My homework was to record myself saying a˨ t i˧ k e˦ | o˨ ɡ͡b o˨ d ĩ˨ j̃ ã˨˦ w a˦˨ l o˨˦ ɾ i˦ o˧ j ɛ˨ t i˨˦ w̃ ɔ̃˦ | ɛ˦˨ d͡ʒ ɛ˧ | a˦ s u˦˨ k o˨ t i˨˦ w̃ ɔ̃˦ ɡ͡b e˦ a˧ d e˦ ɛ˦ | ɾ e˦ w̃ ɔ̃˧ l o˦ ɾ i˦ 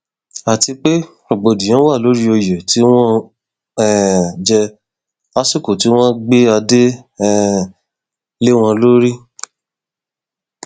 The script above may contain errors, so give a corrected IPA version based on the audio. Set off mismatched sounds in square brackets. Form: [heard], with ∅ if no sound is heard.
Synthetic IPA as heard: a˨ t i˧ [k͡p] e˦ | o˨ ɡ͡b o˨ d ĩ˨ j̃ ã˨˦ w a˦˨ l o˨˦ ɾ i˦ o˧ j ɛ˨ t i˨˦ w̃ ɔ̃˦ | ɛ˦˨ d͡ʒ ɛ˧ | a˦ s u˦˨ k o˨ t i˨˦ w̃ ɔ̃˦ ɡ͡b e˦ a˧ d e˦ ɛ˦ | [l] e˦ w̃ ɔ̃˧ l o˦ ɾ i˦